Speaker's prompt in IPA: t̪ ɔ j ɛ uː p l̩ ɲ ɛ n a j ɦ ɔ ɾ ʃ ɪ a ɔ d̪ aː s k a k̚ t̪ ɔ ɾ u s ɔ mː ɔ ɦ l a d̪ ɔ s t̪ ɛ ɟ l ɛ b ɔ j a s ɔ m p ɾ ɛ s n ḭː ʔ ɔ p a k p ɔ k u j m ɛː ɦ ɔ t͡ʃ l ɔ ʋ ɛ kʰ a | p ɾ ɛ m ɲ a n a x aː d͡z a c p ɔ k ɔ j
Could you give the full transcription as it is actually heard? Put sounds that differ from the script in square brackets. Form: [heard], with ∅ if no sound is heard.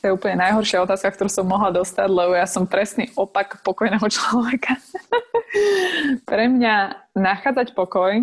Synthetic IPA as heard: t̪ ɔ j ɛ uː p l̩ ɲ ɛ n a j ɦ ɔ ɾ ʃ ɪ a ɔ [t̪] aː s k a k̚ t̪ ɔ ɾ u s ɔ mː ɔ ɦ l a d̪ ɔ s t̪ [a] ɟ l ɛ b ɔ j a s ɔ m p ɾ ɛ s n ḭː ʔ ɔ p a k p ɔ k [ɔ] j [n] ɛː ɦ ɔ t͡ʃ l ɔ ʋ ɛ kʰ a | p ɾ ɛ m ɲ a n a x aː d͡z a c p ɔ k ɔ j